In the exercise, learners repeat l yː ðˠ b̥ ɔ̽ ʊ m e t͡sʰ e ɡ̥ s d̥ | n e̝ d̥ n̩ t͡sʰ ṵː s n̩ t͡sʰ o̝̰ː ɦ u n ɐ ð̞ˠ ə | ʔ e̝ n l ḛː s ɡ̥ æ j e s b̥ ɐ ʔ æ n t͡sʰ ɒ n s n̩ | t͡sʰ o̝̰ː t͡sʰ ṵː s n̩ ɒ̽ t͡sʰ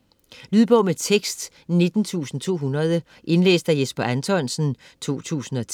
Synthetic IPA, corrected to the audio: l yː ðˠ b̥ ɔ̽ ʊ m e t͡sʰ e ɡ̥ s d̥ | n e̝ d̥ n̩ t͡sʰ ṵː s n̩ t͡sʰ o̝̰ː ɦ u n ɐ ð̞ˠ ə | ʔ e̝ n l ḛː s d̥ æ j e s b̥ ɐ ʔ æ n t͡sʰ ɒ n s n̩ | t͡sʰ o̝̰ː t͡sʰ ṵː s n̩ ɒ̽ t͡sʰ